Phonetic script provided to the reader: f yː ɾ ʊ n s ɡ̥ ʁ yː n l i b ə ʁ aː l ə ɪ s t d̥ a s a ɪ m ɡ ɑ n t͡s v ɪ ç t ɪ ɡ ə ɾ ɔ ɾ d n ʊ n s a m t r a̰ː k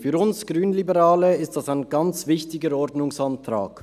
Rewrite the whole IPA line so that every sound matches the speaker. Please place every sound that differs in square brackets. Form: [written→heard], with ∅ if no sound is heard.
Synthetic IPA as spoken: f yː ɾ ʊ n s ɡ̥ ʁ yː n l i b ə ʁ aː l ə ɪ s t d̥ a s a ɪ [m→n] ɡ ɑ n t͡s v ɪ ç t ɪ ɡ ə ɾ ɔ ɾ d n ʊ [n→ŋ] s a [m→n] t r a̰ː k